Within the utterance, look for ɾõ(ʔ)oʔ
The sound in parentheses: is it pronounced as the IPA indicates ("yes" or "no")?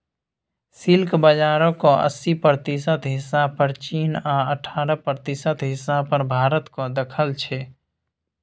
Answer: no